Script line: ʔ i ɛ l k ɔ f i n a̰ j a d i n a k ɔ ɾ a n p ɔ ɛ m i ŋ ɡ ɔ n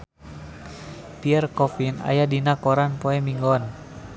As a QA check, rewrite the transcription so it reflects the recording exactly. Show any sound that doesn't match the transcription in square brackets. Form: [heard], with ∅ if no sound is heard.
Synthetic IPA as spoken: [p] i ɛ [r] k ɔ f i n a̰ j a d i n a k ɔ ɾ a n p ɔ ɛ m i ŋ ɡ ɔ n